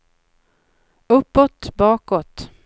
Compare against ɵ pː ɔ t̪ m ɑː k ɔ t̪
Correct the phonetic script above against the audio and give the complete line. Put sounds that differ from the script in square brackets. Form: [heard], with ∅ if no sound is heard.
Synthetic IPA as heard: ɵ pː ɔ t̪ [b] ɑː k ɔ t̪